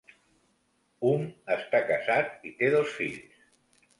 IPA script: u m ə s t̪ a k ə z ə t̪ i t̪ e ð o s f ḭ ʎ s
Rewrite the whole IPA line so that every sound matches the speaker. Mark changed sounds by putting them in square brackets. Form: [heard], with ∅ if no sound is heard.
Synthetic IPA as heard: u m ə s t̪ a k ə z [a] t̪ i t̪ e ð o s f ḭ ʎ s